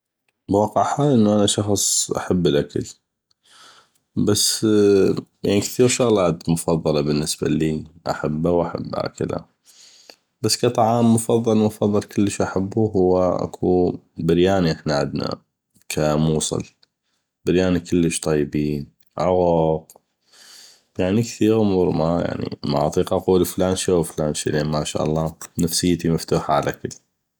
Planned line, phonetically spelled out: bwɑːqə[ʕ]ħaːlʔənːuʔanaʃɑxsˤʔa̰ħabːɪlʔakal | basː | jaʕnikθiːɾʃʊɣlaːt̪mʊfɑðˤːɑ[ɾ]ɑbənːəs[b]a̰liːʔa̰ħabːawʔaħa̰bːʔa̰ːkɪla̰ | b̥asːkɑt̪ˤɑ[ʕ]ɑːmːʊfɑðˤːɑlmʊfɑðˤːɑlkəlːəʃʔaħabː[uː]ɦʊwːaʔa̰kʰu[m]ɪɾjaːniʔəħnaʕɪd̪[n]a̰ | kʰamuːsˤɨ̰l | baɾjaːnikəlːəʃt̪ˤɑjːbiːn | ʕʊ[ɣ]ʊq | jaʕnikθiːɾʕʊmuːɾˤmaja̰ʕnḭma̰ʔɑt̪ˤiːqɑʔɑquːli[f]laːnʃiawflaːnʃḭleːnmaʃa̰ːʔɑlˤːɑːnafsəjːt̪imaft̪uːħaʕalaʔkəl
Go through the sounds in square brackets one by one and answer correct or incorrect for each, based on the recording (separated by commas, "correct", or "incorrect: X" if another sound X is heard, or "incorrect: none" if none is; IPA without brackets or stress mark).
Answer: correct, incorrect: l, correct, correct, incorrect: u, incorrect: b, correct, correct, correct